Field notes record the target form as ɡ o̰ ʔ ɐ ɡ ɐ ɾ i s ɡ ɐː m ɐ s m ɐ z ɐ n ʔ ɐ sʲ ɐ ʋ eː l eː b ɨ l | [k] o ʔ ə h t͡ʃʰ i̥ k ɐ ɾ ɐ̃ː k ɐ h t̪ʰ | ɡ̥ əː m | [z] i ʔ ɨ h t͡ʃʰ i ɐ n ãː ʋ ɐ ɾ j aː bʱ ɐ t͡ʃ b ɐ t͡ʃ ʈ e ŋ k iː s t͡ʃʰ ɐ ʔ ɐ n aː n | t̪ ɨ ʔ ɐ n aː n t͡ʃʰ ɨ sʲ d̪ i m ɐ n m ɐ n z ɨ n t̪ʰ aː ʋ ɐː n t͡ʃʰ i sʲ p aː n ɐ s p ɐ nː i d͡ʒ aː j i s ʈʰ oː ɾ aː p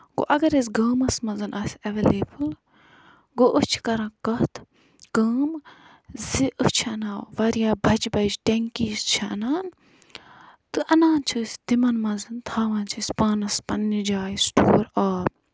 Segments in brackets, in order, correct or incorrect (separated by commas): incorrect, correct